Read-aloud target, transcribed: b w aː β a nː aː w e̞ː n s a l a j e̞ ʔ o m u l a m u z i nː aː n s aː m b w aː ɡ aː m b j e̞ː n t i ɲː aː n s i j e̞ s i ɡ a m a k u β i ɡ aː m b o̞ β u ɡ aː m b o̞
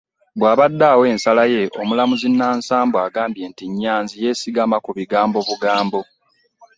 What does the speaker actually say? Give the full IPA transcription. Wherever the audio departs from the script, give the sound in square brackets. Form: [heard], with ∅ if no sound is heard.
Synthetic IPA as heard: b w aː β a [dː] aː w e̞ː n s a l a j e̞ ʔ o m u l a m u z i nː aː n s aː m b w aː ɡ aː m b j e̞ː n t i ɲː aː n [z] i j e̞ s i ɡ a m a k u β i ɡ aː m b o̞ β u ɡ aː m b o̞